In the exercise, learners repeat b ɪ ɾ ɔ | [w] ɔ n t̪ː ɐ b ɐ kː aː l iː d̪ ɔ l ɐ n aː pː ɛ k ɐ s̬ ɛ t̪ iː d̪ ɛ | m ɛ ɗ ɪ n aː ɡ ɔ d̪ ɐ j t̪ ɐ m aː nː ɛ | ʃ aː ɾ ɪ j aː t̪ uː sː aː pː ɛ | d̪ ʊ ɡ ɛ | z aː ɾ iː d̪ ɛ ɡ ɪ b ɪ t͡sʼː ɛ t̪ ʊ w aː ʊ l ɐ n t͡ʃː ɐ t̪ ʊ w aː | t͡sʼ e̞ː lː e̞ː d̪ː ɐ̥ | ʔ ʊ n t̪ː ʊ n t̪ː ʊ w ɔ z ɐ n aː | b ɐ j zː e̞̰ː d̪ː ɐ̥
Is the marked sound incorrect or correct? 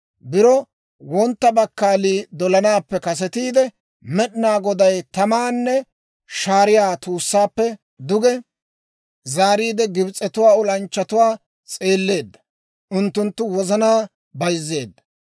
correct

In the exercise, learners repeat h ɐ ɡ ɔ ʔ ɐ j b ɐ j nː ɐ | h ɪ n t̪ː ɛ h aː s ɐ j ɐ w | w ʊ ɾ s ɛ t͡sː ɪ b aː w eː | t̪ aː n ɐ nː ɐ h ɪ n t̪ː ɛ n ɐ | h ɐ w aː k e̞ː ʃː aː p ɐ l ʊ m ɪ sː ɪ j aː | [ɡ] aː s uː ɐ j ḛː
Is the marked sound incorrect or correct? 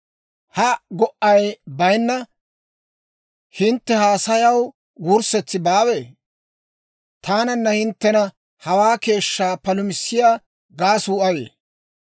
correct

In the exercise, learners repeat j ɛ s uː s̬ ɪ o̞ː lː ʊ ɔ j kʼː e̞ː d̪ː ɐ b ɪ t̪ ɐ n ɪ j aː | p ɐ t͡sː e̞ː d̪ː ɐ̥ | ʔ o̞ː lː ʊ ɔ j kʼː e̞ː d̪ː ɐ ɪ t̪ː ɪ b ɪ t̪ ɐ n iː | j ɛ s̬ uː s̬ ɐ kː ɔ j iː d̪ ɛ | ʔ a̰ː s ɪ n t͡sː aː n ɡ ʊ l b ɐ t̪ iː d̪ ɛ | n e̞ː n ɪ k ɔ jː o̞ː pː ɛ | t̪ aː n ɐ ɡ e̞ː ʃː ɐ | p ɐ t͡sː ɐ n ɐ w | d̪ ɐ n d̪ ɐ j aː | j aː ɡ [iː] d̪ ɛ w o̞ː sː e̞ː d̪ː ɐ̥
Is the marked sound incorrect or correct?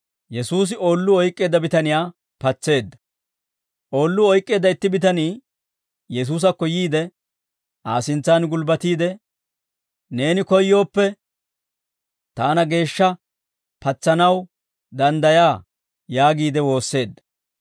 correct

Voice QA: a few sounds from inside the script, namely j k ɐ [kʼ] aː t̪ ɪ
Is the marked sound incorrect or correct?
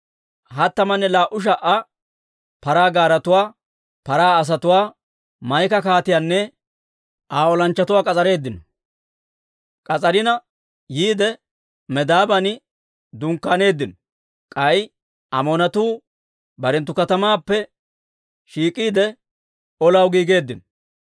incorrect: k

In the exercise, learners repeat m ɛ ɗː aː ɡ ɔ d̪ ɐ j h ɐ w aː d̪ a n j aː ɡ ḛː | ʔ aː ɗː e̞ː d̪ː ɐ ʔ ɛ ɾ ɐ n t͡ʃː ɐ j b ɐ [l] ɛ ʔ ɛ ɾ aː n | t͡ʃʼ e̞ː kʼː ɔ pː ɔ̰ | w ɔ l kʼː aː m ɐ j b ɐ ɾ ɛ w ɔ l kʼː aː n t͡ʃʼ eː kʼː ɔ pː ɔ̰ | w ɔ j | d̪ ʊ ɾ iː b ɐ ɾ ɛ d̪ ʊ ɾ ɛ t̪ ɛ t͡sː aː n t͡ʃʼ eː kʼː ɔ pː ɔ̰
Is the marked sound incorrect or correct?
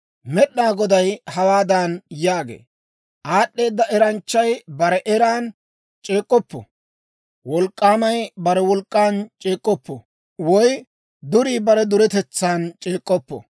incorrect: ɾ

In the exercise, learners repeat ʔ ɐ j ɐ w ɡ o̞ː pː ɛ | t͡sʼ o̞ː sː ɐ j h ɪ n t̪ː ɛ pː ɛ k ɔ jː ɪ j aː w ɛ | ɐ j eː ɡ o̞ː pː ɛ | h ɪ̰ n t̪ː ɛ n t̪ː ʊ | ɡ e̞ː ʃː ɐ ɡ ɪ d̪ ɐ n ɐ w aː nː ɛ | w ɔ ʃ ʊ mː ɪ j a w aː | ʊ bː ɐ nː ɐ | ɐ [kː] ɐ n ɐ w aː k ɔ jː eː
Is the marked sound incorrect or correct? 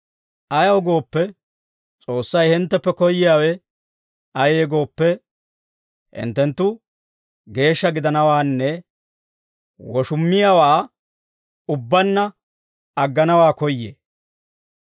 incorrect: ɡː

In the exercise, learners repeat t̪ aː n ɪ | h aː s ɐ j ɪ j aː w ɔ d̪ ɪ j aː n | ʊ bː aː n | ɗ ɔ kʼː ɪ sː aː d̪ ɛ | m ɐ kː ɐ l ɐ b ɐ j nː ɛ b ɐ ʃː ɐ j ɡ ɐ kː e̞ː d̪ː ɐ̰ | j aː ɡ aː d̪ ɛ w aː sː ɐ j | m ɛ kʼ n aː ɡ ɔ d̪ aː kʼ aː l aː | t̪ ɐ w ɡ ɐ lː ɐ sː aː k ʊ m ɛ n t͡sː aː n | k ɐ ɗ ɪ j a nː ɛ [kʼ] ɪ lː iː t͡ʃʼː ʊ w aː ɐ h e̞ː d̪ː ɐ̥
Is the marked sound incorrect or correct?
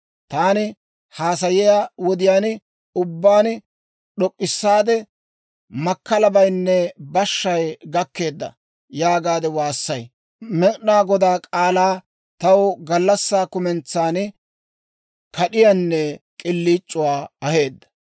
correct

